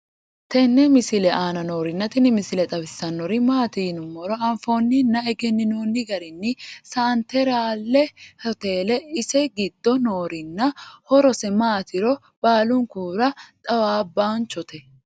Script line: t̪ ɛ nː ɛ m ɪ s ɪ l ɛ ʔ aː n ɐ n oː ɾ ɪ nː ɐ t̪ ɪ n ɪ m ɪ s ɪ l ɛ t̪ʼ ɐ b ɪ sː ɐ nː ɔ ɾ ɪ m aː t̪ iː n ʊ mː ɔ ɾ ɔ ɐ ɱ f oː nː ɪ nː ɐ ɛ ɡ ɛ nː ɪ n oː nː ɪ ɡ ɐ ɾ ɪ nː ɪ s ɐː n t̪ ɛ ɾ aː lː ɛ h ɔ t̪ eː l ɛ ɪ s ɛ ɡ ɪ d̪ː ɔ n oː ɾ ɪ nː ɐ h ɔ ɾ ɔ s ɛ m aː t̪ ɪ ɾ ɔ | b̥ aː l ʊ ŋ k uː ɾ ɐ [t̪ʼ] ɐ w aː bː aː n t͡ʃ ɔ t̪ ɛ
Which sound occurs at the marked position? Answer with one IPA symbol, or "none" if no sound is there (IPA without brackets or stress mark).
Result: t̪ʼ